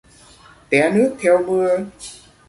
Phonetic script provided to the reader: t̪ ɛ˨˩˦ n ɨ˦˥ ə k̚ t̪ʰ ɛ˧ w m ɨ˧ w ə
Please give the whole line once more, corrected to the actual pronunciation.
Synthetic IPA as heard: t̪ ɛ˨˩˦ n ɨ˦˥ ə k̚ t̪ʰ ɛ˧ w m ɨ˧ ə

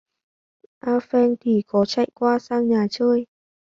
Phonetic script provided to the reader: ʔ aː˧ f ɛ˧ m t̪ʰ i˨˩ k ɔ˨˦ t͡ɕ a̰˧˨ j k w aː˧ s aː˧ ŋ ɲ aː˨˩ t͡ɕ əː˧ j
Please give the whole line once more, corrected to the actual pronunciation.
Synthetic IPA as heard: ʔ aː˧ f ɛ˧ n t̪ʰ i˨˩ k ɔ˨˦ t͡ɕ a̰˧˨ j k w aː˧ s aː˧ ŋ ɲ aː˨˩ t͡ɕ əː˧ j

